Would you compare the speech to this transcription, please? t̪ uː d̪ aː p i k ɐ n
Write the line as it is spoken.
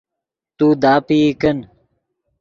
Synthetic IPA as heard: t̪ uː d̪ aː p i k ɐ n